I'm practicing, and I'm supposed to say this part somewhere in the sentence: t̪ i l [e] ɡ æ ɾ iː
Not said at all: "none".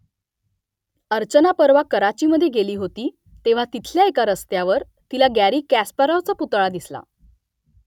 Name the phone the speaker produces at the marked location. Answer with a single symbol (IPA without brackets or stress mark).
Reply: a